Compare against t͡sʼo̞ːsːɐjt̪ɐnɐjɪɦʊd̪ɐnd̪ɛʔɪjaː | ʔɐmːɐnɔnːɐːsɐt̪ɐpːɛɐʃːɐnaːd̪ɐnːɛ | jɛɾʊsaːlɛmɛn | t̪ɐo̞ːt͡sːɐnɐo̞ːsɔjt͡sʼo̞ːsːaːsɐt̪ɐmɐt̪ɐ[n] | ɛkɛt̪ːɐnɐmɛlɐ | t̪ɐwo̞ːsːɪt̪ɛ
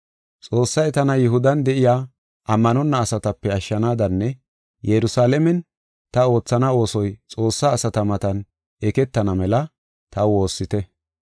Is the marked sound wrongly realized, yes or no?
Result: no